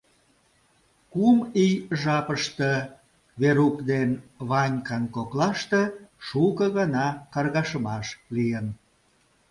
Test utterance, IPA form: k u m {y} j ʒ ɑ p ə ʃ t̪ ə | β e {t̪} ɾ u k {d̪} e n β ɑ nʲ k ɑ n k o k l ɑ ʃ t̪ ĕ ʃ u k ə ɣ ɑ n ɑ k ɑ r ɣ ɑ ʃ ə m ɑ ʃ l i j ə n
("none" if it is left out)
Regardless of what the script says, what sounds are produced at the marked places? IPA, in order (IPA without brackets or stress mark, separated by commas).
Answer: i, none, d̪